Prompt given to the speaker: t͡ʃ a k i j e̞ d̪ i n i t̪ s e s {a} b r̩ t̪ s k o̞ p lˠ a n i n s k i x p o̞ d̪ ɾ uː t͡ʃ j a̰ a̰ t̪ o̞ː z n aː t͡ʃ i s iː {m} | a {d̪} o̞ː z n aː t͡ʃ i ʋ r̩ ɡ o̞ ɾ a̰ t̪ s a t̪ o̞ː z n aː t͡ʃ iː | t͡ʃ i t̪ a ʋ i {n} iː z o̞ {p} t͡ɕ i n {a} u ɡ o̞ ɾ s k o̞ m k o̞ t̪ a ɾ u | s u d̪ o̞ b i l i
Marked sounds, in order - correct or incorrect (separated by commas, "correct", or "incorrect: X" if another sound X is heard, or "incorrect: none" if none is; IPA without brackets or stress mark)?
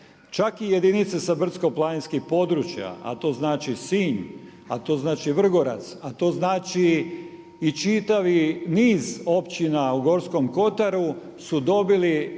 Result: correct, incorrect: ɲ, incorrect: t̪, correct, correct, correct